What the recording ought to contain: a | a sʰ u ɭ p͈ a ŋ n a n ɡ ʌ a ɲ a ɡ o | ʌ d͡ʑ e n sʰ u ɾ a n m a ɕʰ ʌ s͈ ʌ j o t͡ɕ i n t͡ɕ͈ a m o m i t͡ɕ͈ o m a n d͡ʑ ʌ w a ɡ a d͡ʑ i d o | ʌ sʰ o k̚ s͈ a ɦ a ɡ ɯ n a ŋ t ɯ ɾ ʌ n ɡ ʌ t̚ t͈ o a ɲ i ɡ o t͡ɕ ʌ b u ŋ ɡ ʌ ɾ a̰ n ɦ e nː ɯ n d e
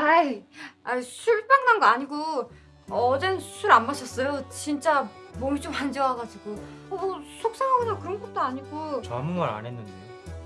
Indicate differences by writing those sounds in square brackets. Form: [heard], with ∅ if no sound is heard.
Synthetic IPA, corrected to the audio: a | a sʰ u ɭ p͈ a ŋ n a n ɡ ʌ a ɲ [i] ɡ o | ʌ d͡ʑ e n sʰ u ɾ a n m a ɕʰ ʌ s͈ ʌ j o t͡ɕ i n t͡ɕ͈ a m o m i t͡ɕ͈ o m a n d͡ʑ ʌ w a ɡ a d͡ʑ i [ɡ] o | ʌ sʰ o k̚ s͈ a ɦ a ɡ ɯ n a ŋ [k] ɯ ɾ ʌ n ɡ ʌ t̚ t͈ o a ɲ i ɡ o t͡ɕ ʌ [m] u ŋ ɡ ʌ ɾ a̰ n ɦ e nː ɯ n d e